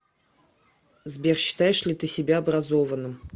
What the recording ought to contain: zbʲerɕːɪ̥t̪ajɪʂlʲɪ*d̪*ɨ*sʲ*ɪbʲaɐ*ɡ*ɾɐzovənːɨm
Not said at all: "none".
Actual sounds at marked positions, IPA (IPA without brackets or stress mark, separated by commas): t̪, sʲ, b